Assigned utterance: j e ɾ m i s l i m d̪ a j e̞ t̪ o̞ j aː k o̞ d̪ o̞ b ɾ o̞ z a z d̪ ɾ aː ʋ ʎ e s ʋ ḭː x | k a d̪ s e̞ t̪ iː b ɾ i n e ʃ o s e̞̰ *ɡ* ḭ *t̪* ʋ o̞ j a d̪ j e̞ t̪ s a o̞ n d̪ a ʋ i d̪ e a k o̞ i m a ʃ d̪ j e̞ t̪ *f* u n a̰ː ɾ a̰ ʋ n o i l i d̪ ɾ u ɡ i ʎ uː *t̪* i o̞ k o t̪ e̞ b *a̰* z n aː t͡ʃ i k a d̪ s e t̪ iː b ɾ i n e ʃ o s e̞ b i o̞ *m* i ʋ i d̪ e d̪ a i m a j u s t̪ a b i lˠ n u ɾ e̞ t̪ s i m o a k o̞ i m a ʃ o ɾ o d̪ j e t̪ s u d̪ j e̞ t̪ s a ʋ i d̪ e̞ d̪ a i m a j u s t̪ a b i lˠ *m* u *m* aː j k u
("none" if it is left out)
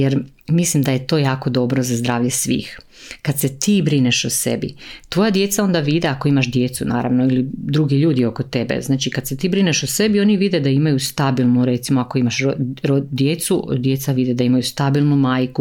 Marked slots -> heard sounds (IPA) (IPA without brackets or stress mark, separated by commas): b, t̪, s, d̪, ḛ, n, n, m